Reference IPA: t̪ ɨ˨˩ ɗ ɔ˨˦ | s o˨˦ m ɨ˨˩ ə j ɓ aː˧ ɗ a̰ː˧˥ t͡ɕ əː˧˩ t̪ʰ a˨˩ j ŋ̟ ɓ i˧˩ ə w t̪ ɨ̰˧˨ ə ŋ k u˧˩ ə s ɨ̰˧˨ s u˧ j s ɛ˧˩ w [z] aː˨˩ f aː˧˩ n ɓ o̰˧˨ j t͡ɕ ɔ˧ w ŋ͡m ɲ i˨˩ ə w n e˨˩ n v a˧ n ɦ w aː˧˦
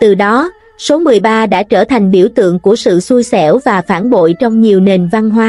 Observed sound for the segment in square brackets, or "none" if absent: v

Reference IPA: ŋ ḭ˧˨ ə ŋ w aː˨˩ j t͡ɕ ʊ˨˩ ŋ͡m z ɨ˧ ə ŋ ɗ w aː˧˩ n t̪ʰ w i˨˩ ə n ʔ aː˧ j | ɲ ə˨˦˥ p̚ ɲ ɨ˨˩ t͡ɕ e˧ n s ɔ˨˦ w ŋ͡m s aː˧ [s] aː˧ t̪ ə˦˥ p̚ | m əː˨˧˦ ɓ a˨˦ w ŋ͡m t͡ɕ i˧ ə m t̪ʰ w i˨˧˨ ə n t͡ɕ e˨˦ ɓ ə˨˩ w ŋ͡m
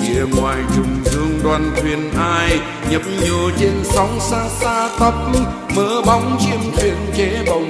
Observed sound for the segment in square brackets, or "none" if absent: s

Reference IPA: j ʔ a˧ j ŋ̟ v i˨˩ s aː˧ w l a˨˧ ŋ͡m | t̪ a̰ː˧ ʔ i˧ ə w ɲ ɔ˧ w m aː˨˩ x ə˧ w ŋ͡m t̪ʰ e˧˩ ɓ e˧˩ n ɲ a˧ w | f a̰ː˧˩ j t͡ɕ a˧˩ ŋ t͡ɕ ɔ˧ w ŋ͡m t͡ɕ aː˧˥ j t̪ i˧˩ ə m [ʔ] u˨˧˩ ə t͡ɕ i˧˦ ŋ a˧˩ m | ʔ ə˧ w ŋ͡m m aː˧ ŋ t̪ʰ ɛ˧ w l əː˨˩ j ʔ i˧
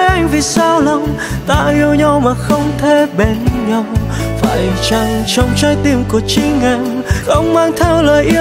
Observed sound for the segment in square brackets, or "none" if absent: k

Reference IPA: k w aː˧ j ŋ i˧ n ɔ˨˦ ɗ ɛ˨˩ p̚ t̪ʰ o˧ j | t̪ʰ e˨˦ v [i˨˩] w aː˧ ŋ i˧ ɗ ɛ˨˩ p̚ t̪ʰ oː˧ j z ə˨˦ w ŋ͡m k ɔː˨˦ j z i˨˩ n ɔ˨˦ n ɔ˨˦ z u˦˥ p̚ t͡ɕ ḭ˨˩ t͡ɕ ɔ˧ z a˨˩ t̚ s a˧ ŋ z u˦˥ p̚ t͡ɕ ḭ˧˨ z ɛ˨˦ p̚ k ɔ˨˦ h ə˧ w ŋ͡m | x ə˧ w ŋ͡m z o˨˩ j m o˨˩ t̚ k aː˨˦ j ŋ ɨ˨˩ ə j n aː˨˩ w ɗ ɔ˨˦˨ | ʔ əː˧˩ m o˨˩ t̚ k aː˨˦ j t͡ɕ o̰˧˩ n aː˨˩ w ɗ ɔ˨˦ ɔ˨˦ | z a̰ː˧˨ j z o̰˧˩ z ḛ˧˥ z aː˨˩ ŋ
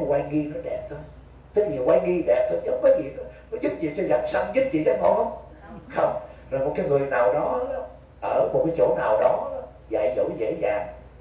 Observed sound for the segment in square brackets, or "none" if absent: i˨˩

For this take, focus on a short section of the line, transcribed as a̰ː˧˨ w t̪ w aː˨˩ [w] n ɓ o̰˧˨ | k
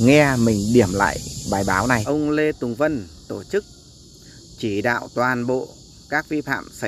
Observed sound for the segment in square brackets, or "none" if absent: none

